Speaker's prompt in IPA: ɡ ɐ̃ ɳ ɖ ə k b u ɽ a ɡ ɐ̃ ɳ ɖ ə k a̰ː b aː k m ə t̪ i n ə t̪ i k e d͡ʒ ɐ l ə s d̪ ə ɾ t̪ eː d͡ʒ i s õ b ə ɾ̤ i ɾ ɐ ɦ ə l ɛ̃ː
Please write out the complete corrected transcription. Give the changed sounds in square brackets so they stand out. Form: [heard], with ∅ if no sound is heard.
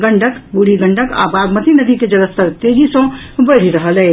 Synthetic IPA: ɡ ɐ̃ ɳ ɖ ə k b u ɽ [i] ɡ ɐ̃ ɳ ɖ ə k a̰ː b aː [ɡ] m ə t̪ i n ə [d̪] i k e d͡ʒ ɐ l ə s [t̪] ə ɾ t̪ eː d͡ʒ i s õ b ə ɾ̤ i ɾ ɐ ɦ ə l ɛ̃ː